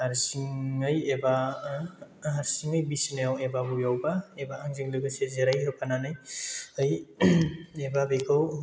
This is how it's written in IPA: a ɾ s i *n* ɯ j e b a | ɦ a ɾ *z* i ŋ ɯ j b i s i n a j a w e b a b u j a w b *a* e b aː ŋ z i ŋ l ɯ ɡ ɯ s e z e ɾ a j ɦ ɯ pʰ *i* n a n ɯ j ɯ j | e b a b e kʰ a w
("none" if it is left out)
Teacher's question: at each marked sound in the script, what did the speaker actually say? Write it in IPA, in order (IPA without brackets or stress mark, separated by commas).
ŋ, s, a, a